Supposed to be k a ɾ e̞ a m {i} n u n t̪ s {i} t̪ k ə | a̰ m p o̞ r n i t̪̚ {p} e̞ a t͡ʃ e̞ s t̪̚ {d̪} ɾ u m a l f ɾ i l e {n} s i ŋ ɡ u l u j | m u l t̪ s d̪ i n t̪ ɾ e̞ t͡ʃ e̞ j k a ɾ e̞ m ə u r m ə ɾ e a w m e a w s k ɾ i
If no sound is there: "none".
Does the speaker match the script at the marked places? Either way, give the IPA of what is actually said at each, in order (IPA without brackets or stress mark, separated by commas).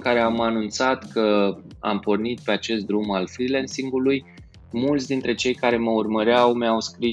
a, a, p, d̪, n